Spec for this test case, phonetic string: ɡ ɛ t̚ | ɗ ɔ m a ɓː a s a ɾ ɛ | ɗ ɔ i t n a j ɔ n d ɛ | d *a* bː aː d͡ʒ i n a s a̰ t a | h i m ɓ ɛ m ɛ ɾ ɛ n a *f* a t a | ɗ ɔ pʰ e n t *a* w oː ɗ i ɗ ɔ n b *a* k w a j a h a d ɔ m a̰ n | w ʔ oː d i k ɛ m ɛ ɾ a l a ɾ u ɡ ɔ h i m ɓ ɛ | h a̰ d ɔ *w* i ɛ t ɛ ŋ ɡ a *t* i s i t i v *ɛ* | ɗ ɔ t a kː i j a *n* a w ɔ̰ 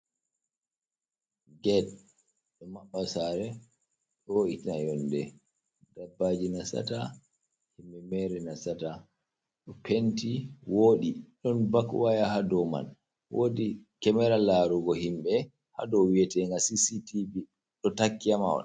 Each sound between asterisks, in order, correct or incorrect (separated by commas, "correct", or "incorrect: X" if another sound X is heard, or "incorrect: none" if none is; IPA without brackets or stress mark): correct, incorrect: s, incorrect: i, correct, correct, incorrect: s, incorrect: i, incorrect: m